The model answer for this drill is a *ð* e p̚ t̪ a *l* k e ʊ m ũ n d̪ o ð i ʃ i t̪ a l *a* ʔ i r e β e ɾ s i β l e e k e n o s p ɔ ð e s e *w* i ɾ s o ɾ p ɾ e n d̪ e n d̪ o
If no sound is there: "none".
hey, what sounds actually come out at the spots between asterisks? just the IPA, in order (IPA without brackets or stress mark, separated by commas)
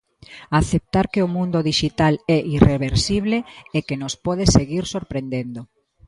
θ, ɾ, ɛ, ɣ